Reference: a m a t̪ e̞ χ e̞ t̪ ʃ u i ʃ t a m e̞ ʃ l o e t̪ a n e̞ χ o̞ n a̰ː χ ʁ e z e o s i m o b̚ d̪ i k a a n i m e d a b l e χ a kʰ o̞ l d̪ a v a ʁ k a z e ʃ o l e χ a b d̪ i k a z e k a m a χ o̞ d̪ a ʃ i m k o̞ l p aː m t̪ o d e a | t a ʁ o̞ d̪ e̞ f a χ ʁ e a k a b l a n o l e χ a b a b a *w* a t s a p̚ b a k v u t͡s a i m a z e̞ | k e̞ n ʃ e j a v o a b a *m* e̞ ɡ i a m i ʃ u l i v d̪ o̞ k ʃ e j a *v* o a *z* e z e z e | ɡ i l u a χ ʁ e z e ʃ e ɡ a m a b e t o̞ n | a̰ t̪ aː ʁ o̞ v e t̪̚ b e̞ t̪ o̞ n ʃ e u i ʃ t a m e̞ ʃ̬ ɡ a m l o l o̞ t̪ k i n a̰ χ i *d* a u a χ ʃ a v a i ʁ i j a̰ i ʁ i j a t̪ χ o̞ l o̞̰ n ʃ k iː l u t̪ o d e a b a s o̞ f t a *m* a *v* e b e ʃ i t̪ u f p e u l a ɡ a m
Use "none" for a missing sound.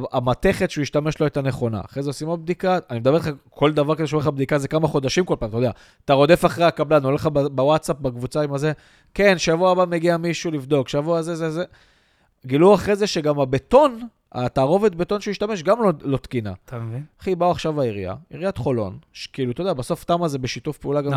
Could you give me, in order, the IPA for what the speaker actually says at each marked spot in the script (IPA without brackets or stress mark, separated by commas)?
w, m, v, z, b, m, z